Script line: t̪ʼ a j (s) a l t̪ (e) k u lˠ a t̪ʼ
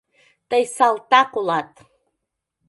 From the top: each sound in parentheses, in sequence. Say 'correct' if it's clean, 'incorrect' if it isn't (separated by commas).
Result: correct, incorrect